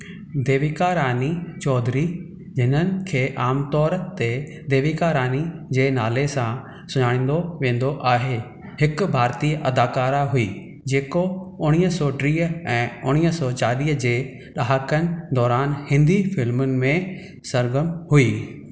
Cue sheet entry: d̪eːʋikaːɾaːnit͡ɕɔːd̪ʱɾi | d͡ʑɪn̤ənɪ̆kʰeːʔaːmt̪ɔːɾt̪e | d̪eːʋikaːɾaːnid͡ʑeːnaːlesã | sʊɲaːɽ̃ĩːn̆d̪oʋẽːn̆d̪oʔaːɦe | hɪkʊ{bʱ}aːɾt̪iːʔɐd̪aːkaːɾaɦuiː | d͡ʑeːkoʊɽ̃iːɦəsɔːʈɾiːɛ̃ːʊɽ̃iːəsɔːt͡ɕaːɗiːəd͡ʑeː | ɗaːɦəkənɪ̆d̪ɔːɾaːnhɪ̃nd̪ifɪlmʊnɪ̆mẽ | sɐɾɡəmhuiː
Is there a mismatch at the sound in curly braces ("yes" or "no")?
no